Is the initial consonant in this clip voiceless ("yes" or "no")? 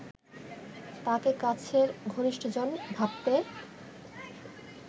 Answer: yes